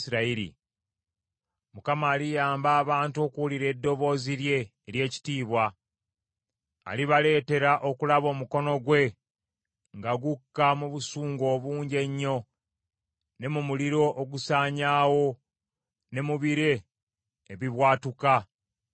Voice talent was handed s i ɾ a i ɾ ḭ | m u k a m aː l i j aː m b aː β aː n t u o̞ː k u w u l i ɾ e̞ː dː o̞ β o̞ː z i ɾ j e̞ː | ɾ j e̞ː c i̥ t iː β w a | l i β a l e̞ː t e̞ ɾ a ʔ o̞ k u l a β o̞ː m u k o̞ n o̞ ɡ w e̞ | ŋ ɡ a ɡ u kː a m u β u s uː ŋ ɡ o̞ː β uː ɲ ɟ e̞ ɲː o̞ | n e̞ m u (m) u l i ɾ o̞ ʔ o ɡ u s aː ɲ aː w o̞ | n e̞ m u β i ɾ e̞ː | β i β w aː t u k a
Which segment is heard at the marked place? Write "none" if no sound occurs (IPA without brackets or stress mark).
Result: m